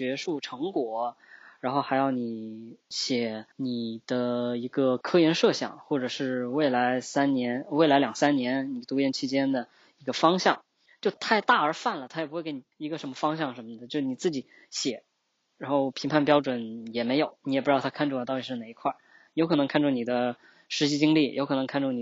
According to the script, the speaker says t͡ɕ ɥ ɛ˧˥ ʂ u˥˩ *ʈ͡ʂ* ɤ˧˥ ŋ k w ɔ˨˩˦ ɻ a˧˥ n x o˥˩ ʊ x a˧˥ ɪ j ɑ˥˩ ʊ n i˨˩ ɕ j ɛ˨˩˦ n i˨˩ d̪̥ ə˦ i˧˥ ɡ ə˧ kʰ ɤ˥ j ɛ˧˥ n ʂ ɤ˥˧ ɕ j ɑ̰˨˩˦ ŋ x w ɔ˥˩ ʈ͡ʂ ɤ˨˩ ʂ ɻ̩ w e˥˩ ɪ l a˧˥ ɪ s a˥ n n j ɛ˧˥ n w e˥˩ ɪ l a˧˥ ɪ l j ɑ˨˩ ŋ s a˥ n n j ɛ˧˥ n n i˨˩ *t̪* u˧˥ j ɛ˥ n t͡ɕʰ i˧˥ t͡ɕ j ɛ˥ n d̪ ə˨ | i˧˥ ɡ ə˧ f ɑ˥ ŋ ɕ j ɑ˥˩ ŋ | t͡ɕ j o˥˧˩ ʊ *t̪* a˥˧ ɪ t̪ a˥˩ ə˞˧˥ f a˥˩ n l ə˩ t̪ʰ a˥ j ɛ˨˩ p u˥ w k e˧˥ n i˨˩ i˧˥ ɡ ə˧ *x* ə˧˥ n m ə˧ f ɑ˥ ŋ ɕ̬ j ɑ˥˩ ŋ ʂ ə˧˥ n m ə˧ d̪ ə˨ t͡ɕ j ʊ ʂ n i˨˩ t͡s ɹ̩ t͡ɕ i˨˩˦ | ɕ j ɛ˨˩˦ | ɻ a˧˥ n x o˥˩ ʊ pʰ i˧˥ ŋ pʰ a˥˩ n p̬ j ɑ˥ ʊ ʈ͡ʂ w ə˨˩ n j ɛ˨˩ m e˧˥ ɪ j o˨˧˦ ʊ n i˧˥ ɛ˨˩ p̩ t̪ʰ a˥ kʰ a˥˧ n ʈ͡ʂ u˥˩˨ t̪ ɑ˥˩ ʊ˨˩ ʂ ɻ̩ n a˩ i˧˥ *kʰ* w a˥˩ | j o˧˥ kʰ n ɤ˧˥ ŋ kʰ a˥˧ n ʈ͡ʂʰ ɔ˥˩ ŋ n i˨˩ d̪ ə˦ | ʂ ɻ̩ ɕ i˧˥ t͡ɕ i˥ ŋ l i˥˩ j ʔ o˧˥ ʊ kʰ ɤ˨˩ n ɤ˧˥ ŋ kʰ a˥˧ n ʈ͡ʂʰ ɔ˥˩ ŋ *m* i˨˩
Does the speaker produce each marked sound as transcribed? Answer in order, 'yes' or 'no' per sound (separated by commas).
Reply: no, yes, no, no, yes, no